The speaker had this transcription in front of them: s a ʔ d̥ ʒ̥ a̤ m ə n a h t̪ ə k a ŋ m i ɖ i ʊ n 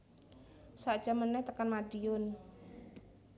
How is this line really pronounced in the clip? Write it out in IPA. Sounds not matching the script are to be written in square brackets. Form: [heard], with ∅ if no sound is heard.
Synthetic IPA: s a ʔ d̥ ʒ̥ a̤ m ə n [ɛ] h t̪ ə k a [n] m [a] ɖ i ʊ n